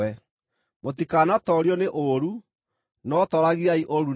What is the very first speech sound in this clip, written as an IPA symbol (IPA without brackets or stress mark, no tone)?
ɛ